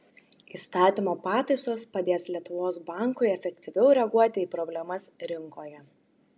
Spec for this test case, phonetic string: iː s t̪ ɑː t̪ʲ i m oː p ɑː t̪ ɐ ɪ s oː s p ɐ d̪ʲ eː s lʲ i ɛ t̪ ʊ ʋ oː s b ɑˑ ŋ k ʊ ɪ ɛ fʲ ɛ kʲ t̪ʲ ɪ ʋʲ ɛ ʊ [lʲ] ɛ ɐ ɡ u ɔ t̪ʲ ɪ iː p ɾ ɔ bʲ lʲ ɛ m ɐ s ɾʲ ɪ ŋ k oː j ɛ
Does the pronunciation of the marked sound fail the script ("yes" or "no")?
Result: yes